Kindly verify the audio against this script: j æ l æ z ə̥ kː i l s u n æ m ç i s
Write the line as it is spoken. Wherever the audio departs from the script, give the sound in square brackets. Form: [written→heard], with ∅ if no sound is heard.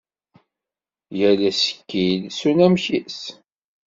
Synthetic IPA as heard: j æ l æ [z→s] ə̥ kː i l s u n æ m ç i s